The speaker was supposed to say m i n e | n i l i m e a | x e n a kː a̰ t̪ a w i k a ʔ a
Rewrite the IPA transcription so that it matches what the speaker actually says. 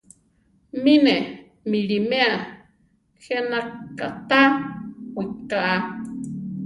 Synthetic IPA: m i n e | m i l i m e a | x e n a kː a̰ t̪ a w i k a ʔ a

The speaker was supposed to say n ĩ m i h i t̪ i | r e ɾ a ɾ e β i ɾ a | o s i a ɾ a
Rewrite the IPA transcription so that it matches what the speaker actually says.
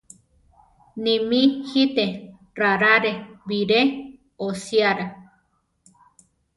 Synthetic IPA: n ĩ m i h i t̪ e | r a ɾ a ɾ e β i ɾ e | o s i a ɾ a

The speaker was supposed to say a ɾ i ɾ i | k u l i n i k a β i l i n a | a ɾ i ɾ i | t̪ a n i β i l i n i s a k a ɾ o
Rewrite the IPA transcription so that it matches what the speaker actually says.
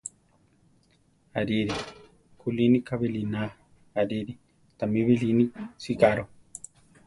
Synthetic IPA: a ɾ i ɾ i | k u l i n i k a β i l i n a | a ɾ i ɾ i | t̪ a m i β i l i n i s i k a ɾ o

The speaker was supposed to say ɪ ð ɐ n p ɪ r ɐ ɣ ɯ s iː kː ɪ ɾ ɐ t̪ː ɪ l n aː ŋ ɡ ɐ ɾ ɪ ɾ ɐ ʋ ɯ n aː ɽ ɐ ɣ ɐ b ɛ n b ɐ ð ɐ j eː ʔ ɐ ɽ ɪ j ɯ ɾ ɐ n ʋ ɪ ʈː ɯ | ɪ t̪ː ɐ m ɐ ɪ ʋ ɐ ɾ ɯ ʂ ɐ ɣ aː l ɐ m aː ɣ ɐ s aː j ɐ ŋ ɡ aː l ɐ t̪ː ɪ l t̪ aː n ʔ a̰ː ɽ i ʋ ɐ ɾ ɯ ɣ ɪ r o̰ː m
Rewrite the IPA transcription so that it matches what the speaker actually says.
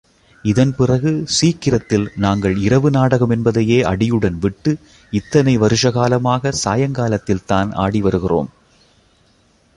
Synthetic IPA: ɪ ð ɐ n p ɪ r ɐ ɣ ɯ s iː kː ɪ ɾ ɐ t̪ː ɪ l n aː ŋ ɡ ɐ ɭ ɪ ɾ ɐ ʋ ɯ n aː ɽ ɐ ɣ ɐ m ɛ n b ɐ ð ɐ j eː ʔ ɐ ɽ ɪ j ɯ ɽ ɐ n ʋ ɪ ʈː ɯ | ɪ t̪ː ɐ n ɐ ɪ ʋ ɐ ɾ ɯ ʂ ɐ ɣ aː l ɐ m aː ɣ ɐ s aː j ɐ ŋ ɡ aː l ɐ t̪ː ɪ l t̪ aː n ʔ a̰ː ɽ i ʋ ɐ ɾ ɯ ɣ ɪ r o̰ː m

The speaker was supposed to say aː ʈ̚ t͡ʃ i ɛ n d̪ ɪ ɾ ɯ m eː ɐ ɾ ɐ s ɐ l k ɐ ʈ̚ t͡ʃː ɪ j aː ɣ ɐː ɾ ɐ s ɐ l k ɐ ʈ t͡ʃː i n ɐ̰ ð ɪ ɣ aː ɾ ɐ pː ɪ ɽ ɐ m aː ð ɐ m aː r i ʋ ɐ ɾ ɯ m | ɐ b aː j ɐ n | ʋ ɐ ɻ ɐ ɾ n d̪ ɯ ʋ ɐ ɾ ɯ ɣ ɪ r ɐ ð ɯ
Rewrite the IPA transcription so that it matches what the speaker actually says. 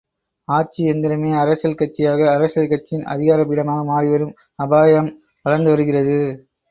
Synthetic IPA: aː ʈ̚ t͡ʃ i ɛ n d̪ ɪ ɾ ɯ m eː ɐ ɾ ɐ s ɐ l k ɐ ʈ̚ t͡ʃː ɪ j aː ɣ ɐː ɾ ɐ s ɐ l k ɐ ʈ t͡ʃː ɪ n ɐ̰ ð ɪ ɣ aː ɾ ɐ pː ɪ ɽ ɐ m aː ɣ ɐ m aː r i ʋ ɐ ɾ ɯ m | ɐ b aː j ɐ m | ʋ ɐ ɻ ɐ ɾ n d̪ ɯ ʋ ɐ ɾ ɯ ɣ ɪ r ɐ ð ɯ

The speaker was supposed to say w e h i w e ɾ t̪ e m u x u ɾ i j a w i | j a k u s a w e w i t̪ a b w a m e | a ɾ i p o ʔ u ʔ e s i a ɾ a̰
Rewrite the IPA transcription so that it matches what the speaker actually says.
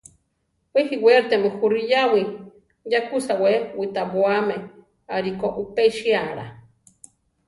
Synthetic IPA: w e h i w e ɾ t̪ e m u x u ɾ i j a w i | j a k u s a w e w i t̪ a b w a m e | a ɾ i k o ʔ u p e ʃ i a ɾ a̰

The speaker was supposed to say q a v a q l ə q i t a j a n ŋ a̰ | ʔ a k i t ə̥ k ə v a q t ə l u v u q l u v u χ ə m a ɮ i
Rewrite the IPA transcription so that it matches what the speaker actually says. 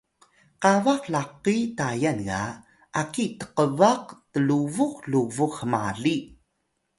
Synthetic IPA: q a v a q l a q i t a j a n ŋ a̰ | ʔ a k i t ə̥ q ə v a q t ə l u v u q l u v u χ ə m a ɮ i

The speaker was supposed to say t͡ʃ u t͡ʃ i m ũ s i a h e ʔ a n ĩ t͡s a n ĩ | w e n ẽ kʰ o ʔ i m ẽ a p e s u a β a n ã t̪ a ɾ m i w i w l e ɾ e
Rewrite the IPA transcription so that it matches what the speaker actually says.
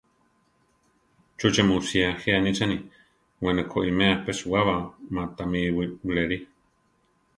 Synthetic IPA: t͡ʃ u t͡ʃ e m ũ s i a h e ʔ a n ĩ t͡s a n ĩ | w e n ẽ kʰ o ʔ i m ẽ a p e s u a β a m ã t̪ a m i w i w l e ɾ i

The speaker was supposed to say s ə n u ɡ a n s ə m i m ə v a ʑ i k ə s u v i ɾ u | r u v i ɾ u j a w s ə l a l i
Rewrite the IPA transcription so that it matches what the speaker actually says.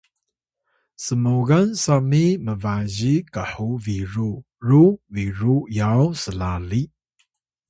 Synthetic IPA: s ə m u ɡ a n s a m i m ə v a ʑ i k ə ħ u v i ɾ u | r u v i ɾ u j a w s ə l a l i

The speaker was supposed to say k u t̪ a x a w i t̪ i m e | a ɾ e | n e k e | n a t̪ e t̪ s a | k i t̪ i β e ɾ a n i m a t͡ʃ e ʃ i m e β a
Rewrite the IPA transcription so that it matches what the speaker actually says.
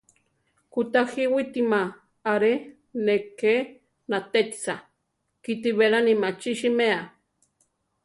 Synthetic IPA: k u t̪ a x i w i t̪ i m a | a ɾ e | n e k e | n a t̪ e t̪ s a | k i t̪ i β e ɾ a n i m a t͡ʃ i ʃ i m e a

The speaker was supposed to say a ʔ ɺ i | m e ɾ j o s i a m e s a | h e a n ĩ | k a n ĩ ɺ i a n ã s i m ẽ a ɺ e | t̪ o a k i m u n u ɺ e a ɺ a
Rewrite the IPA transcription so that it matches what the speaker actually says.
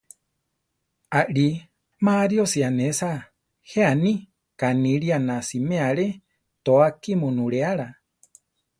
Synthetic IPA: a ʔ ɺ i | m a ɾ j o s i a n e s a | h e a n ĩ | k a n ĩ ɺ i a n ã s i m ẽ a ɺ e | t̪ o a k i m u n u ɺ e a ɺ a

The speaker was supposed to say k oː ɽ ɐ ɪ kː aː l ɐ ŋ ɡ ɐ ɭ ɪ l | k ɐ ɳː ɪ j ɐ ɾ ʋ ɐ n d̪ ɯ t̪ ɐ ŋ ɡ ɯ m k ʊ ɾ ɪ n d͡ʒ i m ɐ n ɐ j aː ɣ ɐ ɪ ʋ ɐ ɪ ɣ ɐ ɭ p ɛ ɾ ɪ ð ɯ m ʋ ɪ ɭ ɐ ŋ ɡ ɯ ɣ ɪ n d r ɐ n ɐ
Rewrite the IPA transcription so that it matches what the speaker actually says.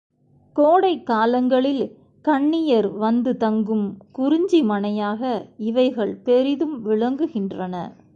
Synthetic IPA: k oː ɽ ɐ ɪ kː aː l ɐ ŋ ɡ ɐ ɭ ɪ l | k ɐ ɳː ɪ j ɐ ɾ ʋ ɐ n d̪ ɯ t̪ ɐ ŋ ɡ ɯ m k ʊ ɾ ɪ ɲ d͡ʒ i m ɐ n ɐ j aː ɣ ɐ ɪ ʋ ɐ ɪ ɣ ɐ ɭ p ɛ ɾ ɪ ð ɯ m ʋ ɪ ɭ ɐ ŋ ɡ ɯ ɣ ɪ n d r ɐ n ɐ

